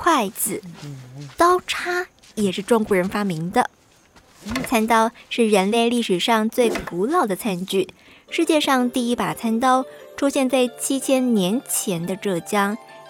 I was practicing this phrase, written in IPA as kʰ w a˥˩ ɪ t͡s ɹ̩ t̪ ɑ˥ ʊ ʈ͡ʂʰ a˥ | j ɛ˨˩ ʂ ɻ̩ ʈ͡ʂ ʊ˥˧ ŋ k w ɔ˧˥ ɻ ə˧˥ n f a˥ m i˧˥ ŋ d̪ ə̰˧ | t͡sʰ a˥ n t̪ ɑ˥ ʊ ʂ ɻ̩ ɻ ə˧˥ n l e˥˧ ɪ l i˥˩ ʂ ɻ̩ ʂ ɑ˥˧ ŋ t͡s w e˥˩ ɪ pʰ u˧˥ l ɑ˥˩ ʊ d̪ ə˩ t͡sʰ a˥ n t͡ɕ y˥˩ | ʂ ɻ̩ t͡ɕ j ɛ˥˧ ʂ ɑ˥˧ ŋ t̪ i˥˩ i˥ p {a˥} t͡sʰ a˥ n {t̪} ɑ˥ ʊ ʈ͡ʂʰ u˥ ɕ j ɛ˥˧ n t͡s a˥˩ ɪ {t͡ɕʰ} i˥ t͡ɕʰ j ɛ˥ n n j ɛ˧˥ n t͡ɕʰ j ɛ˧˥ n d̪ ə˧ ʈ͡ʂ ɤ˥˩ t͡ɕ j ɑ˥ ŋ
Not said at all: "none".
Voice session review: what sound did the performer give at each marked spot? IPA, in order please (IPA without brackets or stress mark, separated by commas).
a˨˩, t̪, t͡ɕʰ